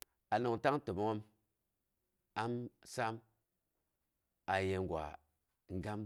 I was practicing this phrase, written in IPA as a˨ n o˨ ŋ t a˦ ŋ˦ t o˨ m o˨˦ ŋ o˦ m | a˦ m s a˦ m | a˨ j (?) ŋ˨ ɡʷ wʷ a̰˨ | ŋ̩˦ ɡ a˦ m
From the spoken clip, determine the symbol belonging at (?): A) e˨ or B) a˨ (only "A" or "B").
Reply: A